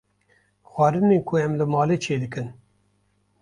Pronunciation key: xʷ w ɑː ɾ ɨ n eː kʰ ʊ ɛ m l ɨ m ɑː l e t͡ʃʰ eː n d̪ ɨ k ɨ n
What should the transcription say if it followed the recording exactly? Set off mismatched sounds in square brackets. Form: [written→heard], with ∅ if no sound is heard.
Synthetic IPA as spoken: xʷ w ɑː ɾ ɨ n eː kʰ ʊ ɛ m l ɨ m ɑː l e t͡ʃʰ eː [n→∅] d̪ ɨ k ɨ n